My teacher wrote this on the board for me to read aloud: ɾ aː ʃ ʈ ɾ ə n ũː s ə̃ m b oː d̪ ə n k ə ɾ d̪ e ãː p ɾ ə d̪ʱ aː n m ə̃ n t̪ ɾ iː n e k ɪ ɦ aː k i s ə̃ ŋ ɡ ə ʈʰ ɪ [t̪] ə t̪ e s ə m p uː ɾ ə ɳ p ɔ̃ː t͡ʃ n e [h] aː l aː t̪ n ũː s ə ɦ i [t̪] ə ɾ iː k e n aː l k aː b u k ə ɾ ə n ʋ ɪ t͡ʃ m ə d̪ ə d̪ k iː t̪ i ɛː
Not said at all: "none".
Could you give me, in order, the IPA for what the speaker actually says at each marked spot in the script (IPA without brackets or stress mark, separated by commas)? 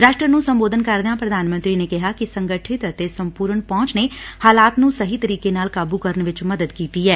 t̪, h, t̪